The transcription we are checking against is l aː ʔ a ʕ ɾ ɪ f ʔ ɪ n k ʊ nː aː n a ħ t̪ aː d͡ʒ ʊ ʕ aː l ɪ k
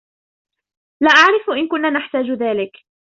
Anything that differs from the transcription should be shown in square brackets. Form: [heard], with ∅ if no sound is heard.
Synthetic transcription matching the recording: l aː ʔ a ʕ ɾ ɪ f ʔ ɪ n k ʊ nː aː n a ħ t̪ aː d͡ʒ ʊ [ð] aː l ɪ k